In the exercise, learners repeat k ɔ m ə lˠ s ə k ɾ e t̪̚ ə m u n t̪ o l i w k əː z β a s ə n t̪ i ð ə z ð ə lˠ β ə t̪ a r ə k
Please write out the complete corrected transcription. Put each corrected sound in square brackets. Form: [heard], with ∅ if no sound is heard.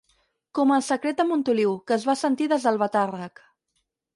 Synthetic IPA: k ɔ m ə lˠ s ə k ɾ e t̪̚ ə m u n t̪ [u] l i w k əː z β a s ə n t̪ i ð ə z ð ə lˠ β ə t̪ a r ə k

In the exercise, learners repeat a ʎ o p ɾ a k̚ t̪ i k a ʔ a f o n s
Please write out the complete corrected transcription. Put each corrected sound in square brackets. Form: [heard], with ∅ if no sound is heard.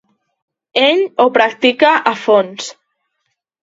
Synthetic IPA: [e] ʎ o p ɾ a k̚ t̪ i k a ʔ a f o n s

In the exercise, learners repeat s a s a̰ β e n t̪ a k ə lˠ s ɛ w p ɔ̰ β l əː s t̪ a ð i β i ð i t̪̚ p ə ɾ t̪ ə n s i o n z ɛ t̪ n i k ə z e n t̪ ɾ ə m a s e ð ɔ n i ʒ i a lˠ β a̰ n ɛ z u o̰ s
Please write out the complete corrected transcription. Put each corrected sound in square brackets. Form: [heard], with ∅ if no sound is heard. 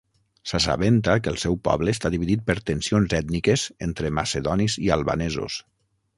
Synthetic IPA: s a s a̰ β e n t̪ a k ə lˠ s ɛ w p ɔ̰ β l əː s t̪ a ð i β i ð i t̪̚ p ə ɾ t̪ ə n s i o n z ɛ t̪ n i k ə z e n t̪ ɾ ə m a s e ð ɔ n i [z] i a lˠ β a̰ n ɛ z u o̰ s

